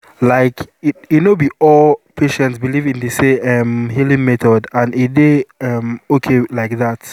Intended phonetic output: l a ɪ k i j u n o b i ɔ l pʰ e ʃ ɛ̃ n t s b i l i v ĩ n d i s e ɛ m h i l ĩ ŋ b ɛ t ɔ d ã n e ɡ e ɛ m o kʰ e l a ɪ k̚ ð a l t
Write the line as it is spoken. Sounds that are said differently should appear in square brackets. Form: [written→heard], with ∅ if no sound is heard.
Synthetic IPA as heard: l a ɪ k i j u n o b i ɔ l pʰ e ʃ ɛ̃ n t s b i l i v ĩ n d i s e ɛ m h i l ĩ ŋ [b→m] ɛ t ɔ d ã n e [ɡ→d] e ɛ m o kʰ e l a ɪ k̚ ð a [l→∅] t